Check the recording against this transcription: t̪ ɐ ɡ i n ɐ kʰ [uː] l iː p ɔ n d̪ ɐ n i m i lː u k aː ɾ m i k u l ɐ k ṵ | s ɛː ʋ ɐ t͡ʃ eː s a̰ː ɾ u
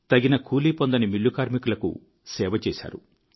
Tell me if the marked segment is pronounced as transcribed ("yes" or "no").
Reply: yes